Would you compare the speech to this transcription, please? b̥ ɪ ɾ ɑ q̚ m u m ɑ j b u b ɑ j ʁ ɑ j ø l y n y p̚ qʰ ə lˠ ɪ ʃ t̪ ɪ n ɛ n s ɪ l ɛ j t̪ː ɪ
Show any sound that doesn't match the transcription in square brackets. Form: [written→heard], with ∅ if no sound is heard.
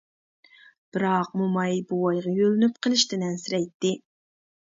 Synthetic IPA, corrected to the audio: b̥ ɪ ɾ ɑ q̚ m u m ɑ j b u [b→w] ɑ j ʁ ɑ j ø l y n y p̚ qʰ ə lˠ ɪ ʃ t̪ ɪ n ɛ n s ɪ [l→ɾ] ɛ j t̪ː ɪ